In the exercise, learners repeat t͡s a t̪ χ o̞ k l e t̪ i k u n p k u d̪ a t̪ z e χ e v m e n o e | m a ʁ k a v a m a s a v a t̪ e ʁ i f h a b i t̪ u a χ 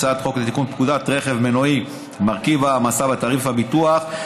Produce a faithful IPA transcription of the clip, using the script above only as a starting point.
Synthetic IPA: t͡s a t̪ χ o̞ k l e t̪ i k u n p k u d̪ a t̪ ʁ e χ e v m e n o i | m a ʁ k i v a m a s a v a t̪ a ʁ i f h a b i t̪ u a χ